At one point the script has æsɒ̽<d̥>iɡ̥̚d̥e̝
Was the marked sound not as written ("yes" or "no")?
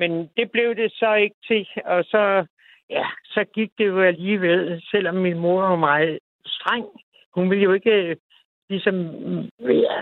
yes